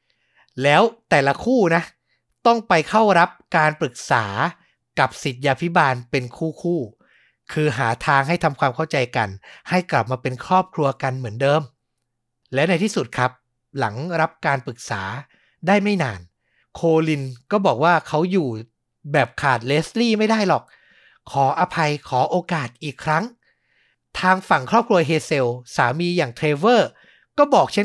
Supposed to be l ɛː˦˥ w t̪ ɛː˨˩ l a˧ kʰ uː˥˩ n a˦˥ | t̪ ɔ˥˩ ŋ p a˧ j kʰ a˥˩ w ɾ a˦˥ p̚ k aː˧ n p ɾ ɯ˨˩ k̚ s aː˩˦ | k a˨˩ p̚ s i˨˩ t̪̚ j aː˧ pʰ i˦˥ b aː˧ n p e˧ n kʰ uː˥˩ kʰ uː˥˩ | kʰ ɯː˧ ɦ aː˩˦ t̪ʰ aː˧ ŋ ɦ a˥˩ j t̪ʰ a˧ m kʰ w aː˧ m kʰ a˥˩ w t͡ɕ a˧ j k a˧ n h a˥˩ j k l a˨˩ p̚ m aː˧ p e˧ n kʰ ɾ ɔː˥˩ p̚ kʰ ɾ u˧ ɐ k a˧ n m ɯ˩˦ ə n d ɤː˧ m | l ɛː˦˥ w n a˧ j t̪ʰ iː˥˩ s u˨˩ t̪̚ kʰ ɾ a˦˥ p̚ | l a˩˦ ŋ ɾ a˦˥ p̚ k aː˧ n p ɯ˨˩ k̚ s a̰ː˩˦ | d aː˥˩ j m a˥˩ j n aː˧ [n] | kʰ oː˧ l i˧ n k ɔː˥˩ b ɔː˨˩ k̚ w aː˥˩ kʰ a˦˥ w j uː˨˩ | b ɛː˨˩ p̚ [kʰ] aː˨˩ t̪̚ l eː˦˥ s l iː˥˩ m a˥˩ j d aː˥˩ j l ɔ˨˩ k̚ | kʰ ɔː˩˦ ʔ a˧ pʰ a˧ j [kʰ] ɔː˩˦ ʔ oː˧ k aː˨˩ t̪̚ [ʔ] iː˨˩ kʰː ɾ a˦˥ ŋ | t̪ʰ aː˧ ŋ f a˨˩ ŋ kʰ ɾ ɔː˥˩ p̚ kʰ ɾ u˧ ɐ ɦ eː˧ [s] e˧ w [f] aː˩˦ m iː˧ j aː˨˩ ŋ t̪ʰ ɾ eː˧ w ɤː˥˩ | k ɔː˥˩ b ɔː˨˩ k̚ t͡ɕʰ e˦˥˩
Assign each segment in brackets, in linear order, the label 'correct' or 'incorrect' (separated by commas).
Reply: correct, correct, correct, correct, correct, incorrect